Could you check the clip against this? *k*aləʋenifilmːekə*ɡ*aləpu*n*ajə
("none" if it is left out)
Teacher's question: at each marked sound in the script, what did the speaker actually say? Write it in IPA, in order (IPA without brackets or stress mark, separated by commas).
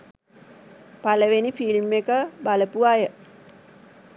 p, b, none